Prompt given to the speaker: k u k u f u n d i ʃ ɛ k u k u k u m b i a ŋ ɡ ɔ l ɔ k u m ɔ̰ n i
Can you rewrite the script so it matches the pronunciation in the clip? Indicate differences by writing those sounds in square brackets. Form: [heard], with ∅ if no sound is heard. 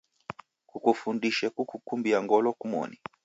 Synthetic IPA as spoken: k u k u f u n d i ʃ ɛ k u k u k u m b i a ŋ ɡ ɔ l ɔ k u m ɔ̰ n i